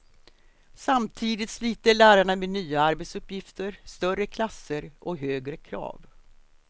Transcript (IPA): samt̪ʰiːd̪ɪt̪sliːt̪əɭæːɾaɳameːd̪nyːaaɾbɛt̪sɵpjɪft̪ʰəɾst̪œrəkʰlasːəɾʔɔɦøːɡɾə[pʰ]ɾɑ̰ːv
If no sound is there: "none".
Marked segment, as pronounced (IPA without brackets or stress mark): kʰ